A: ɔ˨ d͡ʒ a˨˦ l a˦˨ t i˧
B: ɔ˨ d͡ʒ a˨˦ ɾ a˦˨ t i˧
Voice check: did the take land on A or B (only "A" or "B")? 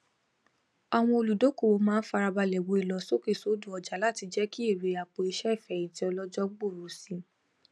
A